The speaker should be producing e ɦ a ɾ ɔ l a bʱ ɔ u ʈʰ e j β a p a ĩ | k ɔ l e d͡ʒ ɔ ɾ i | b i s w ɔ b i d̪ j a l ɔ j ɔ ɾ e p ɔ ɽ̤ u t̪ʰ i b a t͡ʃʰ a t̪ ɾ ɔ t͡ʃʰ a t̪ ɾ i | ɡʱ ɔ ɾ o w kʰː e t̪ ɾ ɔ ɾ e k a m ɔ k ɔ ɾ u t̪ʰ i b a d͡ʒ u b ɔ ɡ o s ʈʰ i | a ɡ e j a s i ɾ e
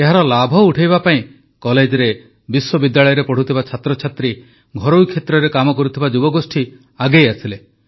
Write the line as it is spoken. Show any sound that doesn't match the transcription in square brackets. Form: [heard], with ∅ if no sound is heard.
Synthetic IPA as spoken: e ɦ a ɾ ɔ l a bʱ ɔ u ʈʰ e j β a p a ĩ | k ɔ l e d͡ʒ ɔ ɾ [e] | b i s w ɔ b i d̪ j a [ɭ] ɔ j ɔ ɾ e p ɔ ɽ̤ u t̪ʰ i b a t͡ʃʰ a t̪ ɾ ɔ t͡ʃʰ a t̪ ɾ i | ɡʱ ɔ ɾ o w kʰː e t̪ ɾ ɔ ɾ e k a m ɔ k ɔ ɾ u t̪ʰ i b a d͡ʒ u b ɔ ɡ o s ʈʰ i | a ɡ e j a s i [l] e